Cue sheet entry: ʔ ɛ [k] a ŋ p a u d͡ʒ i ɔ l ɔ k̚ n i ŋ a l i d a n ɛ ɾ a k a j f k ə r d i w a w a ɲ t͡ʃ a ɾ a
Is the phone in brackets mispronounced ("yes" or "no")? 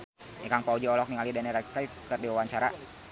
no